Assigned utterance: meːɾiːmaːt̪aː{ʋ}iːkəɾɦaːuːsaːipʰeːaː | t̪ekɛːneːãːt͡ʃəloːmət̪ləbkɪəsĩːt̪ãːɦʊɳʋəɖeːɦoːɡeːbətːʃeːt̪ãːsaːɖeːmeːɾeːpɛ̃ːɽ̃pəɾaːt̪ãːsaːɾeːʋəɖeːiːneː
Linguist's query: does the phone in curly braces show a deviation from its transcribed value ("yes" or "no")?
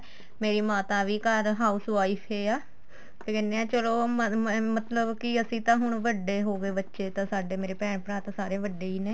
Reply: no